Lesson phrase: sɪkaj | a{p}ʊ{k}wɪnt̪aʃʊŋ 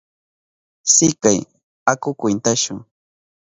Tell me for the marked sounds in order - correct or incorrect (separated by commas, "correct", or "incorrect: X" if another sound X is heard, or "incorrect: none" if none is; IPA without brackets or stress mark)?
incorrect: k, correct